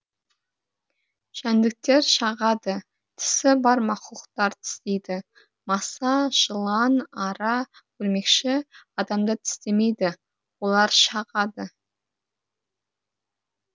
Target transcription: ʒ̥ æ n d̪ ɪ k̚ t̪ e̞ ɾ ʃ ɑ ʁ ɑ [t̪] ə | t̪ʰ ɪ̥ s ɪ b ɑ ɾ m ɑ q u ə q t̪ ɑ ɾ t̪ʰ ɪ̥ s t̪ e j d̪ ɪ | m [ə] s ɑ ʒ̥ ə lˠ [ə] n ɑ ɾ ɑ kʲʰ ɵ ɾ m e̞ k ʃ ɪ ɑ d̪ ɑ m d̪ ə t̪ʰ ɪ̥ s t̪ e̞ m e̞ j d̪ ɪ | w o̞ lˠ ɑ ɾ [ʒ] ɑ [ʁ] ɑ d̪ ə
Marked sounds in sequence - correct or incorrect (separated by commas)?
incorrect, incorrect, incorrect, incorrect, correct